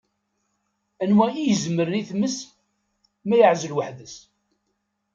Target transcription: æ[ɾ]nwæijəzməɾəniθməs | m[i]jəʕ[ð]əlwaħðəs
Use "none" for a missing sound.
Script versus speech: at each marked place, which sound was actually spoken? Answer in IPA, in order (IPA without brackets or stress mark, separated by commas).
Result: none, æ, z